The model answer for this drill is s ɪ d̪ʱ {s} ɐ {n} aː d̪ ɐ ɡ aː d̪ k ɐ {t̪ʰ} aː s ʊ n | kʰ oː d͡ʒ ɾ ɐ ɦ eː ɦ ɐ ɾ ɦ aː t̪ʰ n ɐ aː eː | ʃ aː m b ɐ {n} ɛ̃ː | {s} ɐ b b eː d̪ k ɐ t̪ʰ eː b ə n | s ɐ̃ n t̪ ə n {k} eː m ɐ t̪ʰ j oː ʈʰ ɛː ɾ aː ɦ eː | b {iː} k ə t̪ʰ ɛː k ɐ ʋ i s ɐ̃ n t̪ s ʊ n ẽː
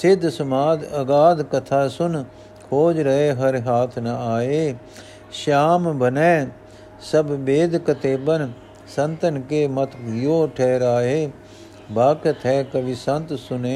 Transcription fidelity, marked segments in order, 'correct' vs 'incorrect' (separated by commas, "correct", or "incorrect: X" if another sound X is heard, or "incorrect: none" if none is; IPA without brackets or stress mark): correct, incorrect: m, correct, correct, correct, correct, incorrect: aː